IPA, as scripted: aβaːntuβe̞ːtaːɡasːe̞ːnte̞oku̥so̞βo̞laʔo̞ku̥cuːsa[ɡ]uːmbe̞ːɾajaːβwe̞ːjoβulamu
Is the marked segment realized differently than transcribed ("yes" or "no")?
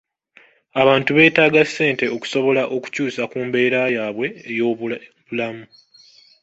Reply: yes